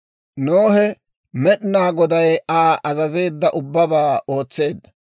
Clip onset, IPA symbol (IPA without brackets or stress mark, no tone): n